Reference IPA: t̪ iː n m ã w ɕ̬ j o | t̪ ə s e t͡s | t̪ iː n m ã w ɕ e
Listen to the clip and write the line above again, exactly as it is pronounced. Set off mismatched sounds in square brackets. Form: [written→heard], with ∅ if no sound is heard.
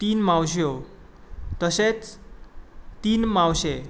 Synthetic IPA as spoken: t̪ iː n m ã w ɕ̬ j o | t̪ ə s e t͡s | t̪ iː n m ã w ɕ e